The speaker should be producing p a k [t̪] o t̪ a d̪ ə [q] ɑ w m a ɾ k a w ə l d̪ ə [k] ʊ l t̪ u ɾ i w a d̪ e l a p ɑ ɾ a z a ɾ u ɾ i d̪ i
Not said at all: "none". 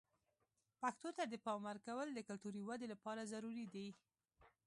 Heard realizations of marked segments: t̪, p, k

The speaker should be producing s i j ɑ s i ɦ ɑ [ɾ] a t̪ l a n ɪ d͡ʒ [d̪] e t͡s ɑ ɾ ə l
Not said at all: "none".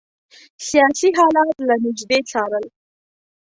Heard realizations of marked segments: l, d̪

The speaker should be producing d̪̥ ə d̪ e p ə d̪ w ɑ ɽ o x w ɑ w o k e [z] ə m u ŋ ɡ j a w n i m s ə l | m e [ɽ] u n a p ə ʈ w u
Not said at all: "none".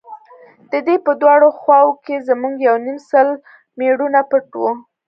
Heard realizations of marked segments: z, ɽ

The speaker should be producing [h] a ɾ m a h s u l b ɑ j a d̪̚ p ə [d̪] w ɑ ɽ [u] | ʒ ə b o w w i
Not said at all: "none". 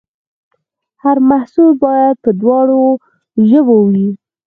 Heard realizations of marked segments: h, d̪, o

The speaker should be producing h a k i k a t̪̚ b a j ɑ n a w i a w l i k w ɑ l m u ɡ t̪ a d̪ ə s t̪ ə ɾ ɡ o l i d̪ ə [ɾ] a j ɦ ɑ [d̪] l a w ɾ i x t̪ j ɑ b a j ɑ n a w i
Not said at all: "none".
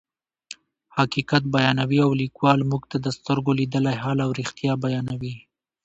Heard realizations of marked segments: l, none

